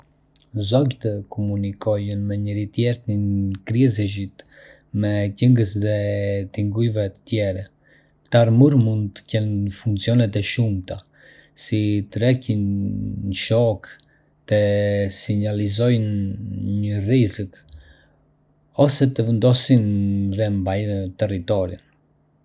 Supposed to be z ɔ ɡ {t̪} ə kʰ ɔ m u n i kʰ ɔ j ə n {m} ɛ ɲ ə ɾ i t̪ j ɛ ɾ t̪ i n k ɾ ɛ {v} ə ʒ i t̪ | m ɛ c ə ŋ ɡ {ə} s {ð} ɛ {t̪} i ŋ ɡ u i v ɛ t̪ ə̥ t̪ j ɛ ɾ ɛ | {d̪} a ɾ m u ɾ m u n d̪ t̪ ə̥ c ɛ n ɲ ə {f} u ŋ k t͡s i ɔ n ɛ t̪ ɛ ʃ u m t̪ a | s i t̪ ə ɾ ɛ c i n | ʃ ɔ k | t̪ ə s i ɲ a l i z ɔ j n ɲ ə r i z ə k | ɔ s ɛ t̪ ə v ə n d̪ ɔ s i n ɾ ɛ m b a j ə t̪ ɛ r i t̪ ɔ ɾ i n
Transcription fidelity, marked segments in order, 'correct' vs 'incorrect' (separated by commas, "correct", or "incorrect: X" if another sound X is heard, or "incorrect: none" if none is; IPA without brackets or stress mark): correct, correct, incorrect: z, correct, correct, correct, incorrect: t̪, correct